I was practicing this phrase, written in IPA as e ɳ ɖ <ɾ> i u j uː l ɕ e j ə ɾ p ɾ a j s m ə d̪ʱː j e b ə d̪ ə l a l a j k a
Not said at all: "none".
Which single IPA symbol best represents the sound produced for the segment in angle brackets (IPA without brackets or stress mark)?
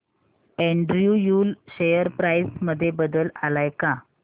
ɾ